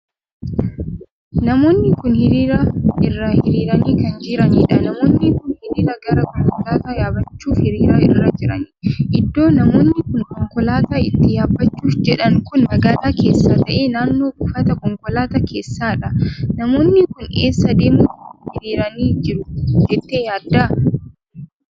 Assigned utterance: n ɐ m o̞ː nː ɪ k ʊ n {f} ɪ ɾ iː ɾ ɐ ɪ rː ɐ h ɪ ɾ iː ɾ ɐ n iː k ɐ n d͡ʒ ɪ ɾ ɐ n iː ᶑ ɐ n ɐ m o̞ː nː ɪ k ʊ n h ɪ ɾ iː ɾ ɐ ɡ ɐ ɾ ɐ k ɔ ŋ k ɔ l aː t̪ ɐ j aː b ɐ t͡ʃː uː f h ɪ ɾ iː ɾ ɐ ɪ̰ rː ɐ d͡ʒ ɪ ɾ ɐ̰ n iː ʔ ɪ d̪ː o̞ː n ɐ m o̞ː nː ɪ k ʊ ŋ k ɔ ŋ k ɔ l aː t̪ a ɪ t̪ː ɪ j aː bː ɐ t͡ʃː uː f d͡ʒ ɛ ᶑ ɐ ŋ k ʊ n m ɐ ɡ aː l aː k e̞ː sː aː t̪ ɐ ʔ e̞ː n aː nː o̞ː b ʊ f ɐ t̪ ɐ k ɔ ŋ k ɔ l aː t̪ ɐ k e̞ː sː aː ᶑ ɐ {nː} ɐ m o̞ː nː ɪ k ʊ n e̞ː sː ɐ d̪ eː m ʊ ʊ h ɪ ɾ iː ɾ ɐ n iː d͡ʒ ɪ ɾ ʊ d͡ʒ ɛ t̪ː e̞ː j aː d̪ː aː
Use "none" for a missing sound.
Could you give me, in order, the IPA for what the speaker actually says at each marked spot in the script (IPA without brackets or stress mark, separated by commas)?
h, n